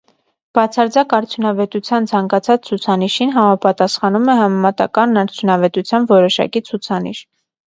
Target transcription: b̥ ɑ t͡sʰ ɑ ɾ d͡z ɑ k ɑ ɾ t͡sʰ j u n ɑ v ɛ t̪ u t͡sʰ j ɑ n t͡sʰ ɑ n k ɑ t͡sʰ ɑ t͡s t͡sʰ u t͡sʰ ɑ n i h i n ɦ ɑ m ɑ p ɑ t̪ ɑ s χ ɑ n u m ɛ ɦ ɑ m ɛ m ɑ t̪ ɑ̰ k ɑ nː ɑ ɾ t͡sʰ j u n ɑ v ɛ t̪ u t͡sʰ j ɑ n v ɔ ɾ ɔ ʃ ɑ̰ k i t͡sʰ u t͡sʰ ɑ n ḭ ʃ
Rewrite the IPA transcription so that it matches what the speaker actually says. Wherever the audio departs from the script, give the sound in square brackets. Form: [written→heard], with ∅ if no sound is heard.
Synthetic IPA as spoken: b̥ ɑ t͡sʰ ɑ ɾ d͡z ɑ k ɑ ɾ t͡sʰ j u n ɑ v ɛ t̪ u t͡sʰ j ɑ n t͡sʰ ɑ [n→ŋ] k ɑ t͡sʰ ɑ t͡s t͡sʰ u t͡sʰ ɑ n i [h→ʃ] i n ɦ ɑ m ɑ p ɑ t̪ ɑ s χ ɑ n u m ɛ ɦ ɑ m ɛ m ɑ t̪ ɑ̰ k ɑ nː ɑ ɾ t͡sʰ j u n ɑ v ɛ t̪ u t͡sʰ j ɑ n v ɔ ɾ ɔ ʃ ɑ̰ k i t͡sʰ u t͡sʰ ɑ n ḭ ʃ

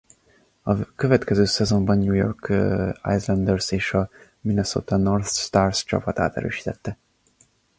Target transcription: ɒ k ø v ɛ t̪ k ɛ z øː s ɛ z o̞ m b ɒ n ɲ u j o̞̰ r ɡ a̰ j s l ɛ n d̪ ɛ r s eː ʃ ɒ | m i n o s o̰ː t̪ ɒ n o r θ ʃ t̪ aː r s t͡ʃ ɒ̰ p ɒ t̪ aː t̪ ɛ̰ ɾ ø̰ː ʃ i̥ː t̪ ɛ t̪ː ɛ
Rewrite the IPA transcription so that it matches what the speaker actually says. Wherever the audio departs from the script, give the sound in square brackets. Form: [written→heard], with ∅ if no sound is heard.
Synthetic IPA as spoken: ɒ k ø v ɛ t̪ k ɛ z øː s ɛ z o̞ m b ɒ n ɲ u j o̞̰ r [ɡ→k] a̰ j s l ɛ n d̪ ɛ r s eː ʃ ɒ | m i n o s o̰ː t̪ ɒ n o r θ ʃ t̪ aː r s t͡ʃ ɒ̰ p ɒ t̪ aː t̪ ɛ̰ ɾ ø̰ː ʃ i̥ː t̪ ɛ t̪ː ɛ

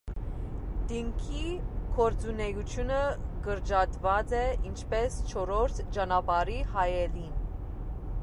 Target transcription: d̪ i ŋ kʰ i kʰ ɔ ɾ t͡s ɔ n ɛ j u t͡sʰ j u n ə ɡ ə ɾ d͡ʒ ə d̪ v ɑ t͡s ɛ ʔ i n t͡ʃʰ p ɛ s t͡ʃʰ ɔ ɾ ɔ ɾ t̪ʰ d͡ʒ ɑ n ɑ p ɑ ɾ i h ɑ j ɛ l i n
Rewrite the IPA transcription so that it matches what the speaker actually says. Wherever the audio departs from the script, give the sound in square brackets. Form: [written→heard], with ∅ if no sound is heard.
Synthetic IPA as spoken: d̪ i ŋ kʰ i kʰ ɔ ɾ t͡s [ɔ→u] n ɛ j u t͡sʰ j u n ə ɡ ə ɾ d͡ʒ [ə→ɑ] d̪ v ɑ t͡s ɛ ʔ i n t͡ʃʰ p ɛ s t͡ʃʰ ɔ ɾ ɔ ɾ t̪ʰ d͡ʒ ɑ n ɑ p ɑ ɾ i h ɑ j ɛ l i n

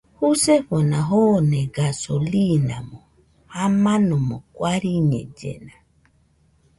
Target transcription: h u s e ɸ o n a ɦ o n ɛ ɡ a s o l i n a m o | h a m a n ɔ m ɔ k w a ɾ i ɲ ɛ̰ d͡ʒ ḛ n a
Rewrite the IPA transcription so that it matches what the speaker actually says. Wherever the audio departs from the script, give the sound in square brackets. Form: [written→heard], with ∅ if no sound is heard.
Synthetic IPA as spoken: h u s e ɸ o n a ɦ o n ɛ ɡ a s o l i n a m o | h a m a n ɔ m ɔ k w a ɾ i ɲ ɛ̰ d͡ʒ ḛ n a

